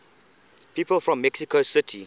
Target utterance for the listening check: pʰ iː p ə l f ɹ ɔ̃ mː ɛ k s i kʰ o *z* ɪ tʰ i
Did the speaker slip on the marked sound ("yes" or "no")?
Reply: yes